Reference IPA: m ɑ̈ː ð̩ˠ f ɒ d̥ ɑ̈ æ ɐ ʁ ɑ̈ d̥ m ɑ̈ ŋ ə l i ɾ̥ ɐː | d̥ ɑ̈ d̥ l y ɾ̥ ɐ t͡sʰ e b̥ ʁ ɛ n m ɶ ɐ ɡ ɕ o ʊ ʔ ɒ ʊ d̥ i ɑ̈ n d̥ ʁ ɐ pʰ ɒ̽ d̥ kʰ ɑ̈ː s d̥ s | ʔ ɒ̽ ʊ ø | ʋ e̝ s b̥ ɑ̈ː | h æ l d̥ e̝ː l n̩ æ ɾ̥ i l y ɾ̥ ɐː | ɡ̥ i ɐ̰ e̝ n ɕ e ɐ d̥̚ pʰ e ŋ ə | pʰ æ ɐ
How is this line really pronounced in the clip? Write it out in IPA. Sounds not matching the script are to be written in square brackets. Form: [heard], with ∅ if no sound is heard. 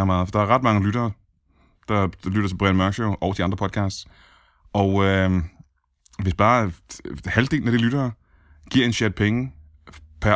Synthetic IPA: m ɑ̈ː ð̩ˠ f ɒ d̥ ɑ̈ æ ɐ ʁ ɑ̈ d̥ m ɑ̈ ŋ ə l [y] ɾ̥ ɐː | d̥ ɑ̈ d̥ l y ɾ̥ ɐ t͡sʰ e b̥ ʁ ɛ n m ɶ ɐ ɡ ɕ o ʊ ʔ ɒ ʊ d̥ i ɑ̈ n d̥ ʁ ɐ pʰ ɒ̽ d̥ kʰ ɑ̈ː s d̥ s | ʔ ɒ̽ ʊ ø | ʋ e̝ s b̥ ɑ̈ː | h æ l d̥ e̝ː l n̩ æ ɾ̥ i l y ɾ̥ ɐː | ɡ̥ i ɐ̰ e̝ n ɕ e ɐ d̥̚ pʰ e ŋ ə | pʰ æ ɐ